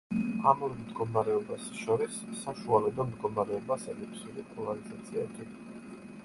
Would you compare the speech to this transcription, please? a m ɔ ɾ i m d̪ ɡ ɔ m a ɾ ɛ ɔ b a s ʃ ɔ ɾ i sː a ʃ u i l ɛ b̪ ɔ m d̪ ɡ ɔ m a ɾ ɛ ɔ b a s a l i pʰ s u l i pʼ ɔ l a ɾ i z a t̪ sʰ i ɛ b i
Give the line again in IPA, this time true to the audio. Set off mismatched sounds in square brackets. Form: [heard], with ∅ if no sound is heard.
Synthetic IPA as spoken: a m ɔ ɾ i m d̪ ɡ ɔ m a ɾ ɛ ɔ b a s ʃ ɔ ɾ i sː a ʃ u [a] l ɛ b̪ ɔ m d̪ ɡ ɔ m a ɾ ɛ ɔ b a s [ɛ] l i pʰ s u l i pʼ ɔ l a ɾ i z a t̪ sʰ i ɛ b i